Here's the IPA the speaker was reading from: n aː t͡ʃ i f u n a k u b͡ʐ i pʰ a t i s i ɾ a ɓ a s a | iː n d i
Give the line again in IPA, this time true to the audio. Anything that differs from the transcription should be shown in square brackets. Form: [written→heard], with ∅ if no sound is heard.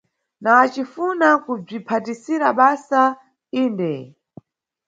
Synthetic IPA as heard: n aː t͡ʃ i f u n a k u b͡ʐ i pʰ a t i s i ɾ a ɓ a s a | iː n d [i→ɛ]